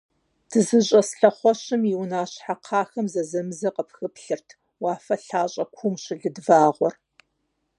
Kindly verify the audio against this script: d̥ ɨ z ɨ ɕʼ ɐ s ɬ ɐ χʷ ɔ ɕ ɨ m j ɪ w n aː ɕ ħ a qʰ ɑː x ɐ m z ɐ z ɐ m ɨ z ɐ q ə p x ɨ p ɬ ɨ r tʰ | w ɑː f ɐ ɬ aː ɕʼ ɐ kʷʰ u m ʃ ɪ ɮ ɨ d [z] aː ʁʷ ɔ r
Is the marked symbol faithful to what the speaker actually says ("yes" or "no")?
no